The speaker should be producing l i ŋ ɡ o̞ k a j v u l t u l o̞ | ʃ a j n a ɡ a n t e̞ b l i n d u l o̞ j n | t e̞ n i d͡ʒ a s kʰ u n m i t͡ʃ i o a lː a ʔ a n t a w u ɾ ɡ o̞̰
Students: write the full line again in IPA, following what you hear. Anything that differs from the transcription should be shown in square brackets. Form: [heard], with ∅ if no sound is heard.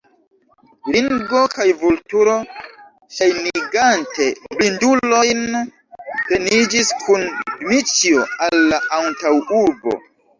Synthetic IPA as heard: l i ŋ ɡ o̞ k a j v u l t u [ɾ] o̞ | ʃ a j n [i] ɡ a n t e̞ b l i n d u l o̞ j n | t e̞ n i d͡ʒ [i] s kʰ u n m i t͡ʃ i o a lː a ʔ a n t a w u ɾ [b] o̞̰